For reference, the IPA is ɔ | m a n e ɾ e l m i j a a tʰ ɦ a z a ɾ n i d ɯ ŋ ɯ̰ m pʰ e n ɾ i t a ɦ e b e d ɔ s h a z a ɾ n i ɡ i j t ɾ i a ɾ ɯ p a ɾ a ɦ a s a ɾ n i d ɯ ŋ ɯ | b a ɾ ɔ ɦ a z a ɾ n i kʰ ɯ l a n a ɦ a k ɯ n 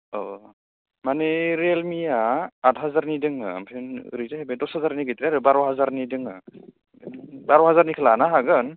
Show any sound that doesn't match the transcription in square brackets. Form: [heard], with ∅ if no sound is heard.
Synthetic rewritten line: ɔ | m a n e ɾ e l m i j a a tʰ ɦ a z a ɾ n i d ɯ ŋ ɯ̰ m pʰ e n ɾ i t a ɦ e b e d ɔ s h a z a ɾ n i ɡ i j t ɾ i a ɾ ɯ [b] a ɾ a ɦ a [z] a ɾ n i d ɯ ŋ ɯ | b a ɾ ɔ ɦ a z a ɾ n i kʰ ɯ l a n a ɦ a [ɡ] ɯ n